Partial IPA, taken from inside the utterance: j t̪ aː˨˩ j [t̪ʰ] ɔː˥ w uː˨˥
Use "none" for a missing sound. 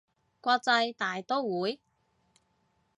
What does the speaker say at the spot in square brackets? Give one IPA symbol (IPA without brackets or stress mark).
t̪